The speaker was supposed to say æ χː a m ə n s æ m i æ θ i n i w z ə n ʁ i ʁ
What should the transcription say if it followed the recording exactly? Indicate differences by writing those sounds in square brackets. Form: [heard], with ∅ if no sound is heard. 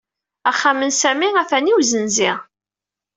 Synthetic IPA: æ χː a m ə n s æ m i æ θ [æ] n i w z ə n [z] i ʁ